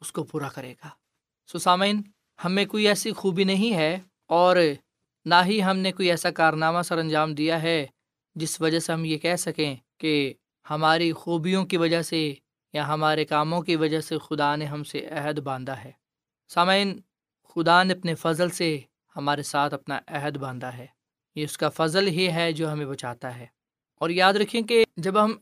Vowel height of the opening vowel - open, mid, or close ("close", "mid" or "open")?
close